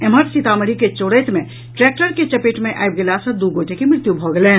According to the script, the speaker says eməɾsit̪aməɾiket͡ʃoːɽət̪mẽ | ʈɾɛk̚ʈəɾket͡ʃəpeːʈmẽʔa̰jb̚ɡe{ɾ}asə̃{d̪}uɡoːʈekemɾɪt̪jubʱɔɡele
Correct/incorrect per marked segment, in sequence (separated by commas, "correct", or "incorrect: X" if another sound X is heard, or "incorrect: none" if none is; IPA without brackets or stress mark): incorrect: l, correct